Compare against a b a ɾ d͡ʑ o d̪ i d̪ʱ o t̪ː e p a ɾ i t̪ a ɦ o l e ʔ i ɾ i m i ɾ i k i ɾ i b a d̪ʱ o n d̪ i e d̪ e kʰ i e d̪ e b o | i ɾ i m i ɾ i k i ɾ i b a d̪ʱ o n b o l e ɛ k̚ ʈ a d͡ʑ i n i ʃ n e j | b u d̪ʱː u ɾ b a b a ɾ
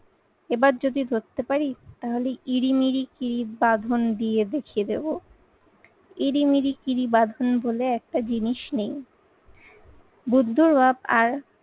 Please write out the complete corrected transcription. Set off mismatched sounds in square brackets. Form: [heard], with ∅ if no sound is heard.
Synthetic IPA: [e] b a ɾ d͡ʑ o d̪ i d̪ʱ o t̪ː e p a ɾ i t̪ a ɦ o l e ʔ i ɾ i m i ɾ i k i ɾ i b a d̪ʱ o n d̪ i e d̪ e kʰ i e d̪ e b o | i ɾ i m i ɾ i k i ɾ i b a d̪ʱ o n b o l e ɛ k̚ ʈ a d͡ʑ i n i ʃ n e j | b u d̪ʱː u ɾ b a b a ɾ